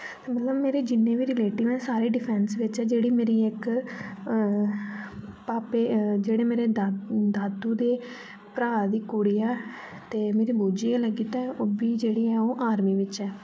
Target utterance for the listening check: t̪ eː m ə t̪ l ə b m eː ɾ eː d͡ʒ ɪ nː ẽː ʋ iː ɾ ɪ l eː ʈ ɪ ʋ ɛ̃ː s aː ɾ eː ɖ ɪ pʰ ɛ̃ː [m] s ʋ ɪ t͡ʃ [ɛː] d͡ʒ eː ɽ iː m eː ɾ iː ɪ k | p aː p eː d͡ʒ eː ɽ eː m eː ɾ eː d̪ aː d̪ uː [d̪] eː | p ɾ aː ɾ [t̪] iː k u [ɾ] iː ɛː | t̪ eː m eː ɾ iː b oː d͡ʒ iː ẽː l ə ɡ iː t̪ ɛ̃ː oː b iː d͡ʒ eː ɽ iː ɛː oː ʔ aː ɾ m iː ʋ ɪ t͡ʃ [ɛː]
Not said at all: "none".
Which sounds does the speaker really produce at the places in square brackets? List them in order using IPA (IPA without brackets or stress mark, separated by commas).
n, ɛː, d̪, d̪, ɽ, ɛː